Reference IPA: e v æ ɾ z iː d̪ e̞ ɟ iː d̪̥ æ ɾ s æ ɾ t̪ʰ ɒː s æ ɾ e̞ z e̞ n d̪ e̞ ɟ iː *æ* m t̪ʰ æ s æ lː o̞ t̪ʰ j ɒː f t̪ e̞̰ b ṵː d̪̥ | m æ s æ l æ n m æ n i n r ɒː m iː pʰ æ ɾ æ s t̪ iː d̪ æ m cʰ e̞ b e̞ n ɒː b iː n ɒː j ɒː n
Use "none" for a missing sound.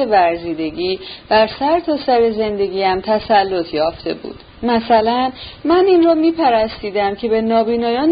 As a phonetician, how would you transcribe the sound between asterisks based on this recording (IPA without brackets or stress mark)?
æ